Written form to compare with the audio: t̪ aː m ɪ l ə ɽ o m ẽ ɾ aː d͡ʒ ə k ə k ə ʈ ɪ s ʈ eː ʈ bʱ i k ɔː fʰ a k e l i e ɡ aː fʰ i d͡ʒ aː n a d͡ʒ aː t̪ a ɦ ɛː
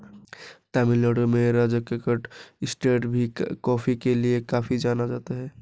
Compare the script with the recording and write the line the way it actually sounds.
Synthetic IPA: t̪ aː m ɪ l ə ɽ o m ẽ ɾ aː d͡ʒ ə k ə k ə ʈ ɪ s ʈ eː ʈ bʱ i k ɔː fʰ i k e l i e k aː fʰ i d͡ʒ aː n a d͡ʒ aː t̪ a ɦ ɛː